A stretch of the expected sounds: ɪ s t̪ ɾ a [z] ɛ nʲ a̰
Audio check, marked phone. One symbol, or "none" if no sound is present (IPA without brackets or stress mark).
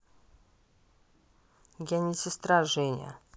ʐ